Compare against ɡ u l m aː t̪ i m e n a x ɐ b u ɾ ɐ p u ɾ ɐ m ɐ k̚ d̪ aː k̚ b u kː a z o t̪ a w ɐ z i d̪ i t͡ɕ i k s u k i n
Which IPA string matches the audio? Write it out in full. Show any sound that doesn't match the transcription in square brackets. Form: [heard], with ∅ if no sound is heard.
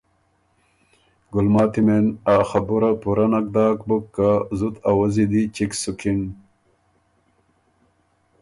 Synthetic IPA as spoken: ɡ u l m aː t̪ i m e n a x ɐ b u ɾ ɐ p u ɾ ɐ [n] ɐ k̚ d̪ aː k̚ b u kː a z [u] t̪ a w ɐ z i d̪ i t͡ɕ i k s u k i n